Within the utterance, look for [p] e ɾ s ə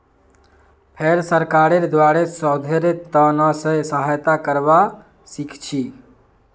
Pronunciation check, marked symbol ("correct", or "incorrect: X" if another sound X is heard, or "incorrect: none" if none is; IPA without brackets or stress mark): incorrect: pʰ